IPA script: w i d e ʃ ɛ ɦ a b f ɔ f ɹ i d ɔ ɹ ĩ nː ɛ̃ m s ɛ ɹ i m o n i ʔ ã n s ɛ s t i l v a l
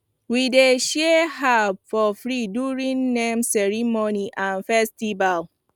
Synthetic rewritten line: w i d e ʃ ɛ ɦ a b f ɔ f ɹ i d u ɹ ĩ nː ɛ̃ m s ɛ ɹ i m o n i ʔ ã n f ɛ s t i v a l